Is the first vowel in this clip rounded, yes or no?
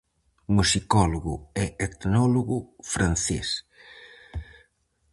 yes